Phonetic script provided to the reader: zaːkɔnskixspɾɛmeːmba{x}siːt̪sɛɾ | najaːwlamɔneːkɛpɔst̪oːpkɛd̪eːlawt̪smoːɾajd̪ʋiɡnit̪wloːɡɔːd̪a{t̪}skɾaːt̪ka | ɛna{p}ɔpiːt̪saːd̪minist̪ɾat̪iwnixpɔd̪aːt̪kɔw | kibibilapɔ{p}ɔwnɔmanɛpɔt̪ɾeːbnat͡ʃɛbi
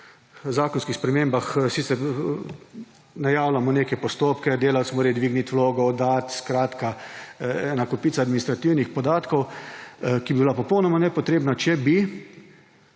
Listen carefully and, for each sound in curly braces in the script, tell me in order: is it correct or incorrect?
correct, correct, incorrect: k, correct

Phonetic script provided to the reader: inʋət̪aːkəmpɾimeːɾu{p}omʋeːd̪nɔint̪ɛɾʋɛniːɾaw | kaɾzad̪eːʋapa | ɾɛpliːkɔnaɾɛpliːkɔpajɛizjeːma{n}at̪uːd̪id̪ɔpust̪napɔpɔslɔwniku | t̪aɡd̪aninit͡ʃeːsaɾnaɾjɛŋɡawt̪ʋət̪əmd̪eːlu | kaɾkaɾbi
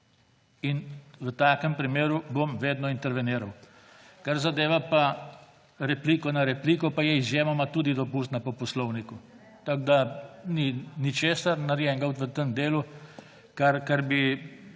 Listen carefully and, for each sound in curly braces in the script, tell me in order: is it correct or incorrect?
incorrect: b, incorrect: m

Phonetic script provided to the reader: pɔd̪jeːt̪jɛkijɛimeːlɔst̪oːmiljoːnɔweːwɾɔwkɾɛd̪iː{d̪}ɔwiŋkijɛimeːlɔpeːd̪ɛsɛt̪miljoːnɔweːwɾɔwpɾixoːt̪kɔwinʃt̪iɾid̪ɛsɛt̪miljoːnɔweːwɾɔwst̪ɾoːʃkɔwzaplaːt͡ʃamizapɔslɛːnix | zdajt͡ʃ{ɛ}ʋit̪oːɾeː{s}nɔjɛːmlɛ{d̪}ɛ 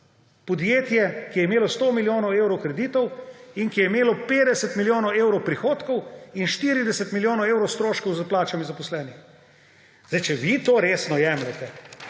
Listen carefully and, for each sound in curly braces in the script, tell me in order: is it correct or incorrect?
incorrect: t̪, correct, correct, incorrect: t̪

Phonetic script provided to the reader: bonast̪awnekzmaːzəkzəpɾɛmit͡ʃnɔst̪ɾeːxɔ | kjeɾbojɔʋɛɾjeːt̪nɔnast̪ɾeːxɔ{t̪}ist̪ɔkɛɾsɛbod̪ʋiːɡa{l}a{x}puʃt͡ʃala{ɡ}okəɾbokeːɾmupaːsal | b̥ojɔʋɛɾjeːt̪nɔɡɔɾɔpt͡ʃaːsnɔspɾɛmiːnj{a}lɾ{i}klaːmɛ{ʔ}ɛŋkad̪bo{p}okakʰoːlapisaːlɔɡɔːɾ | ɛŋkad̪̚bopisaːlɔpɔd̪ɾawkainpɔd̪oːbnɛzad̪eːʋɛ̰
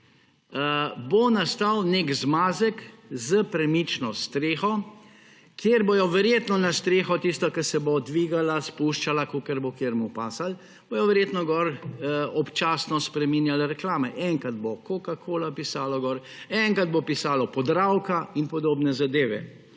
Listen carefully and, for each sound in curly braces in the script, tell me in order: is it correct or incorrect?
correct, correct, incorrect: s, incorrect: k, correct, incorrect: ɛ, correct, incorrect: k

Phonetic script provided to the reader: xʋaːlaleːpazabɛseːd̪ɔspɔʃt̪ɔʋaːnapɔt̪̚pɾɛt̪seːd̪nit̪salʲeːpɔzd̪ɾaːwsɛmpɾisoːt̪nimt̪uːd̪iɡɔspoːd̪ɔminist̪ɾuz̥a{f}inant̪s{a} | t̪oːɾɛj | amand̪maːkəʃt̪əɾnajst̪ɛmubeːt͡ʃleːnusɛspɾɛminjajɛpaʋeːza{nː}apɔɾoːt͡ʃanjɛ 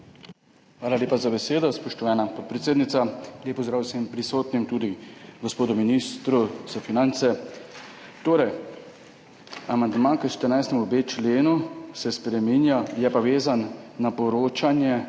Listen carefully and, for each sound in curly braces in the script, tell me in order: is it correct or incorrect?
correct, incorrect: ɛ, correct

